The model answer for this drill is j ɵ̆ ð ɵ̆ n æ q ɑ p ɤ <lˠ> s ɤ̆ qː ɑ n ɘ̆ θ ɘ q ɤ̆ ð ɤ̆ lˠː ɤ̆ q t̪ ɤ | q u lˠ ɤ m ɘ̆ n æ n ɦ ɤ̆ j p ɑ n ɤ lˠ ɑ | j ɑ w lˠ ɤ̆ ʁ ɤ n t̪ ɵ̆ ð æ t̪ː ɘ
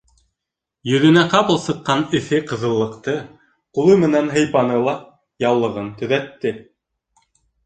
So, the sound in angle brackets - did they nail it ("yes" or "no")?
yes